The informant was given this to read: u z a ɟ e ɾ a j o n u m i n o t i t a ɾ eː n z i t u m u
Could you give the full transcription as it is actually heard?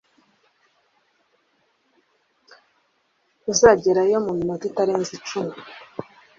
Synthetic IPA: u z a ɟ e ɾ a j o m u m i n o t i t a ɾ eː n z i t͡ʃ u m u

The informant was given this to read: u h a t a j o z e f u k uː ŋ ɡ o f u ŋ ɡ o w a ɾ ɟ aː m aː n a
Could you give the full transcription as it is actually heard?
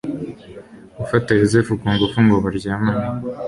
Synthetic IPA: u f a t a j o z e f u k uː ŋ ɡ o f u ŋ ɡ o β a ɾ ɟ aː m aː n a

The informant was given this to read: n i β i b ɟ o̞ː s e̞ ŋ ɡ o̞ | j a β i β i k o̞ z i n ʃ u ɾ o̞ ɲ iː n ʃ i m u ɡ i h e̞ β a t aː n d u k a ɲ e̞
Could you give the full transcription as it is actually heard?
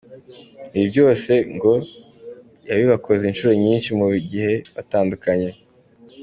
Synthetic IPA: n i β i b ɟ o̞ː s e̞ ŋ ɡ o̞ | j a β i β a k o̞ z i n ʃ u ɾ o̞ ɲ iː n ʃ i m u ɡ i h e̞ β a t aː n d u k a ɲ e̞

